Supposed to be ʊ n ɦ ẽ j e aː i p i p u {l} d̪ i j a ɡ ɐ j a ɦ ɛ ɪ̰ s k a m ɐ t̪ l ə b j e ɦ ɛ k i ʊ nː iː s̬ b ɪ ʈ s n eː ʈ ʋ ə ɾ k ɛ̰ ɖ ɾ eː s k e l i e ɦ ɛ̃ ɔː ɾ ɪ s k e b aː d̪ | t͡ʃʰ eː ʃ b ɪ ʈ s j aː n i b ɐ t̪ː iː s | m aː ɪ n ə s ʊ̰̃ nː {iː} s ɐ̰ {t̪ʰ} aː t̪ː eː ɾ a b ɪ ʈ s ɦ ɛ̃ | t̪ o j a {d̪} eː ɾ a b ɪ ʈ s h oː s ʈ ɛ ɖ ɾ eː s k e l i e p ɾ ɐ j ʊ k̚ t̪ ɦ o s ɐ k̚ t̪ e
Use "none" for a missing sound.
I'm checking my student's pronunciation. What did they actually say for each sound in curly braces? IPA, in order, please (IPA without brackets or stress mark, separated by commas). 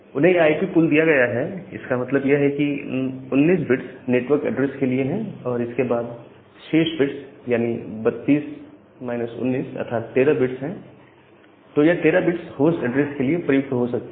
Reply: l, iː, t̪ʰ, t̪